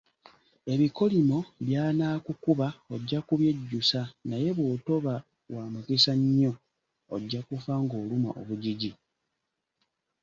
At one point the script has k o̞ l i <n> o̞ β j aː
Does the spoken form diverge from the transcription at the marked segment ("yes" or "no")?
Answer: yes